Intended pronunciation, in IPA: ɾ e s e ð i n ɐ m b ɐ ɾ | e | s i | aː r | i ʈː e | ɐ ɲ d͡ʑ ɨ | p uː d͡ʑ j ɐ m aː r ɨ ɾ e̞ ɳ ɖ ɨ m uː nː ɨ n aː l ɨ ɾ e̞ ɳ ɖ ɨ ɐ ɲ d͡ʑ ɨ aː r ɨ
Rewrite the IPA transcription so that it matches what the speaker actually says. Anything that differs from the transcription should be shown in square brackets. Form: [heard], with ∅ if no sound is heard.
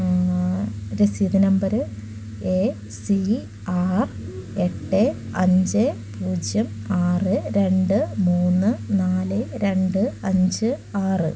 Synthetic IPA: ɾ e s [i] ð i n ɐ m b ɐ ɾ | e | s i | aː r | [e] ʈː e | ɐ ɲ d͡ʑ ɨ | p uː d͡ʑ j ɐ m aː r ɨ ɾ e̞ ɳ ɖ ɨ m uː nː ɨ n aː l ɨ ɾ e̞ ɳ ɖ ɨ ɐ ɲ d͡ʑ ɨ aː r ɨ